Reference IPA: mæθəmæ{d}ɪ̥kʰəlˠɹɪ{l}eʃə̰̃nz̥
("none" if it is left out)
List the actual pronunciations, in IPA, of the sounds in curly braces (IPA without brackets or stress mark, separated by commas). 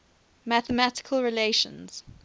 t, l